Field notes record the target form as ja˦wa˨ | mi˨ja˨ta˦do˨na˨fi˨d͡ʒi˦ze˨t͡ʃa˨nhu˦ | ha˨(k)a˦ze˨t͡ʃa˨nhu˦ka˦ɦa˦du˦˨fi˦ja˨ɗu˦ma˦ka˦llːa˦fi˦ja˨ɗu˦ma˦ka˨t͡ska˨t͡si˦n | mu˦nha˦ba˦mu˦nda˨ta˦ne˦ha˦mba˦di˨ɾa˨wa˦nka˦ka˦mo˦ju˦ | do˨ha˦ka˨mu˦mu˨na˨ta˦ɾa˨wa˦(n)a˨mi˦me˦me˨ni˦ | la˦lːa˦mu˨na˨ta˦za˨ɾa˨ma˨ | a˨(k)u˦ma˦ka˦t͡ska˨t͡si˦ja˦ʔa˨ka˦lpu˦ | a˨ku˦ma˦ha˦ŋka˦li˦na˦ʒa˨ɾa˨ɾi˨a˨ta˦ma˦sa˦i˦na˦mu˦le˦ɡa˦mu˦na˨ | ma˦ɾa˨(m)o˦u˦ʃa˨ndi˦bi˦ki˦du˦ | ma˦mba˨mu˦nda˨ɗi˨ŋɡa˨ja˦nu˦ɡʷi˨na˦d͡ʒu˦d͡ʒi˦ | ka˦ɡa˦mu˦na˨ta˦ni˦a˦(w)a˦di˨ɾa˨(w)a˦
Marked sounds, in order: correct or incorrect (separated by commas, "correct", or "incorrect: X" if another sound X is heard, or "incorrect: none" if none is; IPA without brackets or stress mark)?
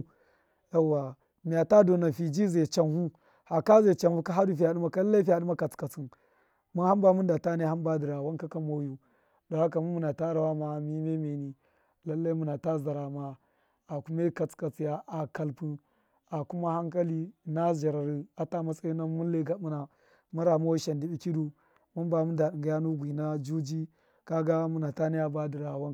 correct, incorrect: m, correct, correct, incorrect: b, correct